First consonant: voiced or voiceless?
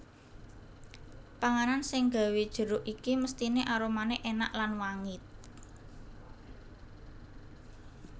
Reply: voiceless